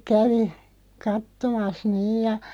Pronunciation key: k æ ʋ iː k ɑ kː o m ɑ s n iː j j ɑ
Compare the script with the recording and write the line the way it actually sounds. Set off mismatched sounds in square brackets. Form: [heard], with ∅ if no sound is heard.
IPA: k æ ʋ [i] k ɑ [tː] o m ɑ s n iː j j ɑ